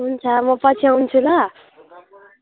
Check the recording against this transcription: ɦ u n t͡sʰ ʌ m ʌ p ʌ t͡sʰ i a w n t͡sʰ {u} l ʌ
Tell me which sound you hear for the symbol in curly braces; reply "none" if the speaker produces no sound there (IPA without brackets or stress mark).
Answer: u